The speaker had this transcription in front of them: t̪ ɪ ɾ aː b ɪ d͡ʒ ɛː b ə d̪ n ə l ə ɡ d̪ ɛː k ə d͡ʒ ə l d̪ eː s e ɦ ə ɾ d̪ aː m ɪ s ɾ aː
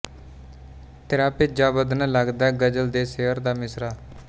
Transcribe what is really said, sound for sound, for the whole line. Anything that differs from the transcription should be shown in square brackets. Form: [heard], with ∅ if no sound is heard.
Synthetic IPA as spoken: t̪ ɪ ɾ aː [p] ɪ d͡ʒ [aː] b ə d̪ n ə l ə ɡ d̪ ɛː [ɡ] ə d͡ʒ ə l d̪ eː s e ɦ ə ɾ d̪ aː m ɪ s ɾ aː